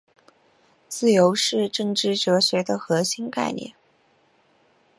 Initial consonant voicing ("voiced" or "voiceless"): voiceless